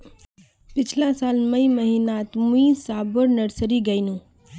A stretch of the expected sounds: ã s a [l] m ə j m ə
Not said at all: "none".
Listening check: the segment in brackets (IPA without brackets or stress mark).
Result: l